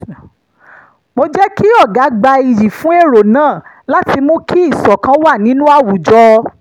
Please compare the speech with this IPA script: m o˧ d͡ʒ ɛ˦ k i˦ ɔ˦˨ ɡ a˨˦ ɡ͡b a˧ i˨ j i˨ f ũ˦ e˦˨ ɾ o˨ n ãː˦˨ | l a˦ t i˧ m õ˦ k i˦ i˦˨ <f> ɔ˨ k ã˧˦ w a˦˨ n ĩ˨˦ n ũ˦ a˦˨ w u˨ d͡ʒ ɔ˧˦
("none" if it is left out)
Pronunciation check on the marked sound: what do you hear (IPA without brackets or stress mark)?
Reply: s